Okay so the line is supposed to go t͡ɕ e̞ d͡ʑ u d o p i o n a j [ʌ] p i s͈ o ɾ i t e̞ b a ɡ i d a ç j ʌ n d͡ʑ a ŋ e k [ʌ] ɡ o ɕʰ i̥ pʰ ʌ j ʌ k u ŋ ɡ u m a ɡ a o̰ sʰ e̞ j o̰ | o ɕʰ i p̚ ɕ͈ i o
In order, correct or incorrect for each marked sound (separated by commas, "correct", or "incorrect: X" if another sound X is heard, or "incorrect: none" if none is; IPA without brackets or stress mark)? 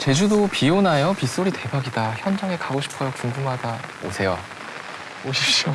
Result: correct, incorrect: a